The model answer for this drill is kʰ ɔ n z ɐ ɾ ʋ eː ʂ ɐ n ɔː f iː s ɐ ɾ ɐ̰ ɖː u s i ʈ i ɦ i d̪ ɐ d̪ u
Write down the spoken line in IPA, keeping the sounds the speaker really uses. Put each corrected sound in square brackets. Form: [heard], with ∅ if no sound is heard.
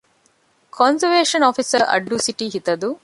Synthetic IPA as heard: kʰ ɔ n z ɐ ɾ ʋ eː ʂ ɐ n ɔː f [i] s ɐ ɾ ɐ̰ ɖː u s i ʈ i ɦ i [t̪] ɐ d̪ u